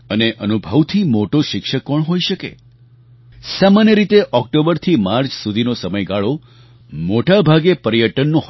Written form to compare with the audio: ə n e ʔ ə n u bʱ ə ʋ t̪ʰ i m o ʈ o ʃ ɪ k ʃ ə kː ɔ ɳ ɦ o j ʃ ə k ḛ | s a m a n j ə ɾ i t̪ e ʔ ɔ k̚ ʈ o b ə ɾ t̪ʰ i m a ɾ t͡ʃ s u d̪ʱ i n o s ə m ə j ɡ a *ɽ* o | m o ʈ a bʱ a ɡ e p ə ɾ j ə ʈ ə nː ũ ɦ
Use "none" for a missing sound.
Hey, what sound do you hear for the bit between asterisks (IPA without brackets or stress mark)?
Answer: ɭ